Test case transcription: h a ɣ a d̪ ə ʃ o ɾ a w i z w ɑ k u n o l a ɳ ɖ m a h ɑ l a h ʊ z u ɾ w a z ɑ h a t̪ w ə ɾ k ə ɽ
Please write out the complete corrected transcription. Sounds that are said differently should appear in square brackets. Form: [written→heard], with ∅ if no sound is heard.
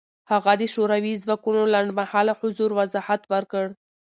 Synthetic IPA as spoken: h a ɣ a d̪ ə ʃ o ɾ a w i z w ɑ k u n o l a ɳ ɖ m a h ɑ l a h ʊ z u ɾ w a z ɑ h a t̪ w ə ɾ k ə ɽ